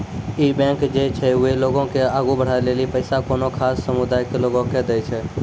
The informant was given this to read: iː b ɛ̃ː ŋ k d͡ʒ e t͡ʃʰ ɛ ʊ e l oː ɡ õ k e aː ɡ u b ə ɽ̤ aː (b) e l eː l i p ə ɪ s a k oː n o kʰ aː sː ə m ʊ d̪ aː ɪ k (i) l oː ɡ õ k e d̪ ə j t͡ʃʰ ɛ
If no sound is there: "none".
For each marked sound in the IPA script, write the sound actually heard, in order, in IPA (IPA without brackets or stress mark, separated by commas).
none, e